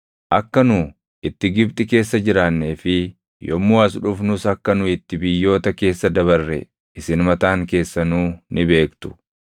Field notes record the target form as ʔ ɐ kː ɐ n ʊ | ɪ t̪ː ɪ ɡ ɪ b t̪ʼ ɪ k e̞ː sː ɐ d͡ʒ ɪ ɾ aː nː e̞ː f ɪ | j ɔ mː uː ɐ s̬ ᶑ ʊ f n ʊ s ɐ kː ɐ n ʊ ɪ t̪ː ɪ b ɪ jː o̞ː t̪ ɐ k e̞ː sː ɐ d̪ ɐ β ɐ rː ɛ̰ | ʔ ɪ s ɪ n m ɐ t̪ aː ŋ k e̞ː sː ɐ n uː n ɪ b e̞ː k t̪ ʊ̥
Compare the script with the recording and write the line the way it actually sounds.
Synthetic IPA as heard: ʔ ɐ kː ɐ n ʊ | ɪ t̪ː ɪ ɡ ɪ b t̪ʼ ɪ k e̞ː sː ɐ d͡ʒ ɪ ɾ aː nː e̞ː f ɪ | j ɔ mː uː ɐ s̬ ᶑ ʊ f n ʊ s ɐ kː ɐ n ʊ ɪ t̪ː ɪ b ɪ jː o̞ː t̪ ɐ k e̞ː sː ɐ d̪ ɐ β ɐ rː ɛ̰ | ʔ ɪ s ɪ n m ɐ t̪ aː ŋ k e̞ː sː ɐ n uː n ɪ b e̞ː k t̪ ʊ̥

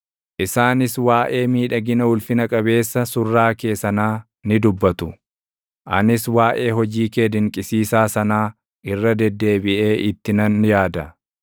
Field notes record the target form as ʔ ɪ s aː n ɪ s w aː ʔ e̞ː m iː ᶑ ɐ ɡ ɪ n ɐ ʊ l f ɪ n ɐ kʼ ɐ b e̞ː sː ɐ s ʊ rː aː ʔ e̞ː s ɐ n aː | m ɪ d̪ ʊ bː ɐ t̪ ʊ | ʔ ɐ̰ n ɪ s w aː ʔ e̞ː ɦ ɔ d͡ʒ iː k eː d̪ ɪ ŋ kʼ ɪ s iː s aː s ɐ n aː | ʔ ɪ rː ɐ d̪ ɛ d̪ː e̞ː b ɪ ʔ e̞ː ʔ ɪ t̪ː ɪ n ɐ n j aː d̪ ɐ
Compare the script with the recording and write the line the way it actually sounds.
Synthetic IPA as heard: ʔ ɪ s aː n ɪ s w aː ʔ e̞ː m iː ᶑ ɐ ɡ ɪ n ɐ ʊ l f ɪ n ɐ kʼ ɐ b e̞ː sː ɐ s ʊ rː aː k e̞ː s ɐ n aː | n ɪ d̪ ʊ bː ɐ t̪ ʊ | ʔ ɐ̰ n ɪ s w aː ʔ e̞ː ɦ ɔ d͡ʒ iː k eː d̪ ɪ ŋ kʼ ɪ s iː s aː s ɐ n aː | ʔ ɪ rː ɐ d̪ ɛ d̪ː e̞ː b ɪ ʔ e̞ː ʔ ɪ t̪ː ɪ n ɐ n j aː d̪ ɐ

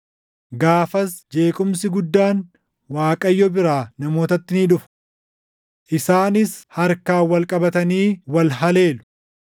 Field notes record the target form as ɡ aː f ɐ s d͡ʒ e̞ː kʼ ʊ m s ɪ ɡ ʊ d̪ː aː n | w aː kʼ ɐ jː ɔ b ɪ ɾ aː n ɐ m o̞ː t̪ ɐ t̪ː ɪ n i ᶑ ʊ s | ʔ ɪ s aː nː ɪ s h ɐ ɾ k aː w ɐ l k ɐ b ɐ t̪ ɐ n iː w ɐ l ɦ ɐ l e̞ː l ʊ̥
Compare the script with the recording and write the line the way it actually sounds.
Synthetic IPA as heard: ɡ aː f ɐ s d͡ʒ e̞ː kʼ ʊ m s ɪ ɡ ʊ d̪ː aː n | w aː kʼ ɐ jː ɔ b ɪ ɾ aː n ɐ m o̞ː t̪ ɐ t̪ː ɪ n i ᶑ ʊ f | ʔ ɪ s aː n ɪ s h ɐ ɾ k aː w ɐ l kʼ ɐ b ɐ t̪ ɐ n iː w ɐ l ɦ ɐ l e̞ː l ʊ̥

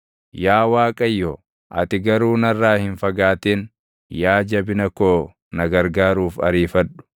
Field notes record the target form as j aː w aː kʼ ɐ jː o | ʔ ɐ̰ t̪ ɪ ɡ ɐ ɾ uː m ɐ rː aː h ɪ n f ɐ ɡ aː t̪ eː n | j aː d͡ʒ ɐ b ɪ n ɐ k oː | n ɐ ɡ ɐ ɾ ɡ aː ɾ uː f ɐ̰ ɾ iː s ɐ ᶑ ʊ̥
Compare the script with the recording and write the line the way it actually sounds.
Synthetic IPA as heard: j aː w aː kʼ ɐ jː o | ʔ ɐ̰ t̪ ɪ ɡ ɐ ɾ uː n ɐ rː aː h ɪ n f ɐ ɡ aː t̪ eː n | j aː d͡ʒ ɐ b ɪ n ɐ k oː | n ɐ ɡ ɐ ɾ ɡ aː ɾ uː f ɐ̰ ɾ iː f ɐ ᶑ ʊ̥

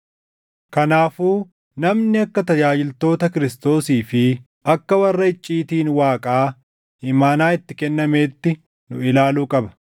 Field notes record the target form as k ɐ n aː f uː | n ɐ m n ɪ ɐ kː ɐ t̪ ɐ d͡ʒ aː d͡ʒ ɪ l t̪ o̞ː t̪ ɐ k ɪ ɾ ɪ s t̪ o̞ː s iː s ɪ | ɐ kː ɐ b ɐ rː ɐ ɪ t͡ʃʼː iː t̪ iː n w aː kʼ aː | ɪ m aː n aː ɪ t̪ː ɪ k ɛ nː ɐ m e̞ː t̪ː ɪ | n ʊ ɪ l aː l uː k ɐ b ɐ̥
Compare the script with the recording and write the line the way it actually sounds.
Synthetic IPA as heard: k ɐ n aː f uː | n ɐ m n ɪ ɐ kː ɐ t̪ ɐ d͡ʒ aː d͡ʒ ɪ l t̪ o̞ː t̪ ɐ k ɪ ɾ ɪ s t̪ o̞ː s iː f ɪ | ɐ kː ɐ w ɐ rː ɐ ɪ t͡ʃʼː iː t̪ iː n w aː kʼ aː | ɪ m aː n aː ɪ t̪ː ɪ k ɛ nː ɐ m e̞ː t̪ː ɪ | n ʊ ɪ l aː l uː kʼ ɐ b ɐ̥

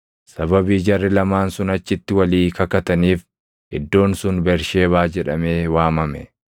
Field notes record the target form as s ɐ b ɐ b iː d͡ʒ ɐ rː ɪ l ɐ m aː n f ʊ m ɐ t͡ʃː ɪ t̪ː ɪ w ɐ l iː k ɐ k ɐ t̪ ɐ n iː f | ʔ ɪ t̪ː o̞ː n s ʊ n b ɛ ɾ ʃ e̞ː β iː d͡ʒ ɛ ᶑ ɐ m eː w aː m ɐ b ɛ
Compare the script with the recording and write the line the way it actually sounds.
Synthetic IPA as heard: s ɐ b ɐ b iː d͡ʒ ɐ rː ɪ l ɐ m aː n s ʊ n ɐ t͡ʃː ɪ t̪ː ɪ w ɐ l iː k ɐ k ɐ t̪ ɐ n iː f | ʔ ɪ d̪ː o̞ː n s ʊ n b ɛ ɾ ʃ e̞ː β aː d͡ʒ ɛ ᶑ ɐ m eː w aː m ɐ m ɛ

